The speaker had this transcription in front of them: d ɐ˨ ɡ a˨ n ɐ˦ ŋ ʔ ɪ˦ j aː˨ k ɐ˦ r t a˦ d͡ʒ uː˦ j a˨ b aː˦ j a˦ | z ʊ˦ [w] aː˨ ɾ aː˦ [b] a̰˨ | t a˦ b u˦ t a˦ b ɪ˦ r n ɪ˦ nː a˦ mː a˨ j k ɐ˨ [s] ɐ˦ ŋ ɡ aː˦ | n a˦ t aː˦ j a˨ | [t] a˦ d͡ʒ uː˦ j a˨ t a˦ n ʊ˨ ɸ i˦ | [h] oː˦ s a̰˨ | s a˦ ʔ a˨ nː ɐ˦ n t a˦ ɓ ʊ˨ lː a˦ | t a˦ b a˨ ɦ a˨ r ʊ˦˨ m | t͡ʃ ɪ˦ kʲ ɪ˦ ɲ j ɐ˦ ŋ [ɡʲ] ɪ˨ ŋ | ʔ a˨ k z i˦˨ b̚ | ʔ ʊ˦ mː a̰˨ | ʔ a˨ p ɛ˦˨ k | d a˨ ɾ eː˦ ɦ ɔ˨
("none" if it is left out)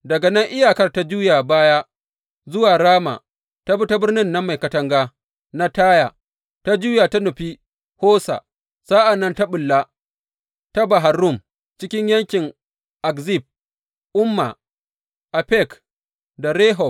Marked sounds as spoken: w, m, t, t, h, kʲ

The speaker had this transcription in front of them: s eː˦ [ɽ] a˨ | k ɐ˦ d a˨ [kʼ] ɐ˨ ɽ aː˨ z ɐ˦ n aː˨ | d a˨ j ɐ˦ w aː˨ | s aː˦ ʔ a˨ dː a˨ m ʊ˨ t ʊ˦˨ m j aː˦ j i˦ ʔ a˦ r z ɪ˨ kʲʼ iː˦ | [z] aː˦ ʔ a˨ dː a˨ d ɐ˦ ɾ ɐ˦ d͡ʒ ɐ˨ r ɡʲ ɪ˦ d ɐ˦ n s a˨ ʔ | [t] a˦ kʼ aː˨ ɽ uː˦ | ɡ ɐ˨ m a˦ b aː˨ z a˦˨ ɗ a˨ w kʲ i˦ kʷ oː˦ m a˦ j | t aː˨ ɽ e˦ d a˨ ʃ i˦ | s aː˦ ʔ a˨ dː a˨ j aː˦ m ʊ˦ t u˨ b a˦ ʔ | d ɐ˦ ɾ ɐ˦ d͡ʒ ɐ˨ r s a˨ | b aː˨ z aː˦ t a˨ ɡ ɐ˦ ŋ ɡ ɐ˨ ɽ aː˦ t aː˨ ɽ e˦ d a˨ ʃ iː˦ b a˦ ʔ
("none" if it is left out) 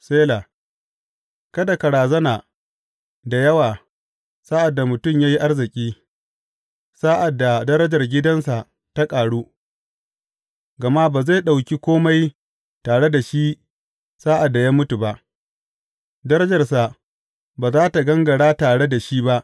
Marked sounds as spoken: l, k, s, t

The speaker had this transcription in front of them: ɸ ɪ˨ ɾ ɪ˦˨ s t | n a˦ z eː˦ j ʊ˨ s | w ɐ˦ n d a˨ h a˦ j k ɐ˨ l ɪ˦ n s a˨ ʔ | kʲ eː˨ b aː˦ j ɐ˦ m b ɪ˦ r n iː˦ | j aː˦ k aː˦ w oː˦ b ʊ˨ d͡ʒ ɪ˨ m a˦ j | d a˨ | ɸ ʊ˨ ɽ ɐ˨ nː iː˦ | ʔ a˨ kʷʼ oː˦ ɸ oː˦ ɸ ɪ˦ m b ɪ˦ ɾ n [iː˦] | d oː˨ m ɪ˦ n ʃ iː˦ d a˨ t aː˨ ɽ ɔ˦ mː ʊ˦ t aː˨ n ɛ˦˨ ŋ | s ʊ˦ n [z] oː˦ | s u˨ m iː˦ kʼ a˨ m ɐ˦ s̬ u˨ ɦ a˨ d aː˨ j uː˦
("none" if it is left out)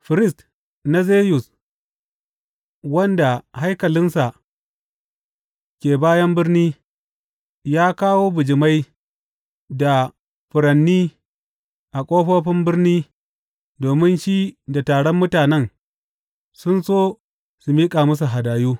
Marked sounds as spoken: iː˦, s

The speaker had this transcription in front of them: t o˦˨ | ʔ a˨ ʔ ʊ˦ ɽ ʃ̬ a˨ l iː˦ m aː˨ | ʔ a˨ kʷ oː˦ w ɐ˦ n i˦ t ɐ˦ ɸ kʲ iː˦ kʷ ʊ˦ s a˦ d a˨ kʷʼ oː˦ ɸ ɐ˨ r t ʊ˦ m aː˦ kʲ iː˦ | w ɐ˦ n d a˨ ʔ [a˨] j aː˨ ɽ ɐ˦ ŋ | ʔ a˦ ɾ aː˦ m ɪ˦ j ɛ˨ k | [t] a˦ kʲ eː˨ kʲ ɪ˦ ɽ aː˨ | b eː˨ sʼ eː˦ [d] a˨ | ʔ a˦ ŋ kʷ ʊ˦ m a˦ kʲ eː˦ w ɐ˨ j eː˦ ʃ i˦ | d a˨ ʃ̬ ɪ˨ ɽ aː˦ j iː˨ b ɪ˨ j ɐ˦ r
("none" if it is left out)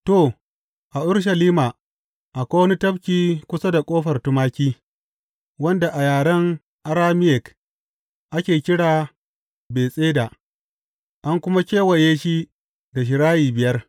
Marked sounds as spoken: a˨, ʔ, d

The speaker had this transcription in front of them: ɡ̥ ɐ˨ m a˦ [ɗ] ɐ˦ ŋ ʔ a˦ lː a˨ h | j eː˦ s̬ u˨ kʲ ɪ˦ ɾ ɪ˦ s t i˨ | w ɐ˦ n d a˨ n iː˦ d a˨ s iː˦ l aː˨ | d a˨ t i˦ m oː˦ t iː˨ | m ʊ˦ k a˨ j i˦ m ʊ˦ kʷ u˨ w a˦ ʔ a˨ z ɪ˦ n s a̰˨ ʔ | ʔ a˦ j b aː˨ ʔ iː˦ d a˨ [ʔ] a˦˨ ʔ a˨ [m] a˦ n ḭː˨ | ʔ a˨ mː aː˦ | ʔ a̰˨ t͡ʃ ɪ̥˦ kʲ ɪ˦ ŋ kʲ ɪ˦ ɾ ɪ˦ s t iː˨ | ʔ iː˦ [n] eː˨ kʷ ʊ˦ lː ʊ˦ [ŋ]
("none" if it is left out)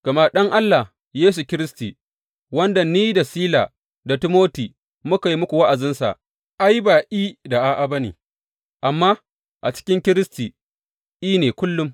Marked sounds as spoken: ɗ, ʔ, b, n, m

